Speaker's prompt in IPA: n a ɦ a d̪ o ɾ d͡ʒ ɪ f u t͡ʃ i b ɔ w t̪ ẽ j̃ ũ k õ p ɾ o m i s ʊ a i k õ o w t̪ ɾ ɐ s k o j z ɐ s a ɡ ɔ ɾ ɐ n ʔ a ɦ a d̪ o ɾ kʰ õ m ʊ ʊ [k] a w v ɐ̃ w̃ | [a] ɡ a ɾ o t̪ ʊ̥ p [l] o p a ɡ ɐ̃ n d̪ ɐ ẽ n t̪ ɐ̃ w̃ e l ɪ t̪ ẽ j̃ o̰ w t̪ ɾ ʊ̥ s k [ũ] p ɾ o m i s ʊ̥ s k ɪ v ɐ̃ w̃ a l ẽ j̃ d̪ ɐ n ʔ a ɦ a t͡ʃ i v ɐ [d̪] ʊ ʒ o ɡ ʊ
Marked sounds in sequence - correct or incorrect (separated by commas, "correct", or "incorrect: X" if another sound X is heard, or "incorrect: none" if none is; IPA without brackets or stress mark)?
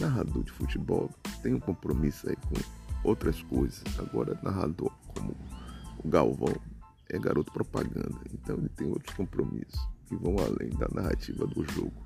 incorrect: ɡ, incorrect: ɛ, incorrect: ɾ, incorrect: õ, correct